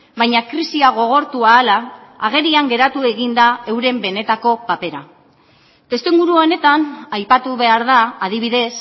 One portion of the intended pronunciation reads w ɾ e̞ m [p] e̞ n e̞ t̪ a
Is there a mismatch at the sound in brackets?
yes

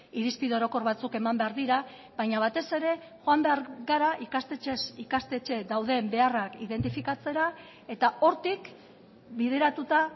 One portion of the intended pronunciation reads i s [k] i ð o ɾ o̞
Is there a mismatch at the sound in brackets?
yes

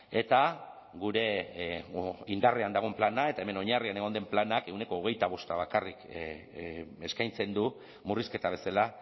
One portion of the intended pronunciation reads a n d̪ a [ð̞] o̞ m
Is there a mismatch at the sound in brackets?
yes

